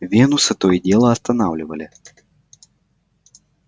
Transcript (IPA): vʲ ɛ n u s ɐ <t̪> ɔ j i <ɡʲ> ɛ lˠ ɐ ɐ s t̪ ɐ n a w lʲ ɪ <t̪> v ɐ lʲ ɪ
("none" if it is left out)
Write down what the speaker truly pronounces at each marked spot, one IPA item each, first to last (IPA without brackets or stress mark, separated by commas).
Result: t̪, dʲ, none